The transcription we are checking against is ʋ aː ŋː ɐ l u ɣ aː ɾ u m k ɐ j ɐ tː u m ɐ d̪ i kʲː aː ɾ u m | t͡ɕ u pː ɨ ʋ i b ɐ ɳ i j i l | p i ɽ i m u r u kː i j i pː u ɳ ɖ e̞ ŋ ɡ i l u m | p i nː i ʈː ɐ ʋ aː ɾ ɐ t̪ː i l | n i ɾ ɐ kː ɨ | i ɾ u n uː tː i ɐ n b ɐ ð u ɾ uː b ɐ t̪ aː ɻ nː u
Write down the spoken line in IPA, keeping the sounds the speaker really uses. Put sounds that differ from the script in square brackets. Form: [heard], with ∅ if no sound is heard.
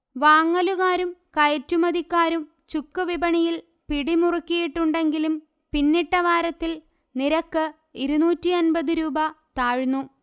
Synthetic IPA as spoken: ʋ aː ŋː ɐ l u ɣ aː ɾ u m k ɐ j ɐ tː u m ɐ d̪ i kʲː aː ɾ u m | t͡ɕ u [kː] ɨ ʋ i b ɐ ɳ i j i l | p i ɽ i m u r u kː i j i [ʈː] u ɳ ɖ e̞ ŋ ɡ i l u m | p i nː i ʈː ɐ ʋ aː ɾ ɐ t̪ː i l | n i ɾ ɐ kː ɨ | i ɾ u n uː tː i ɐ n b ɐ ð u ɾ uː b ɐ t̪ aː ɻ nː u